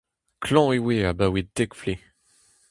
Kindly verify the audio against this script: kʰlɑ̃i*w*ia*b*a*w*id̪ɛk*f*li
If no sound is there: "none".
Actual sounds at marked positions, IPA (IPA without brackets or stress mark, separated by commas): w, b, w, f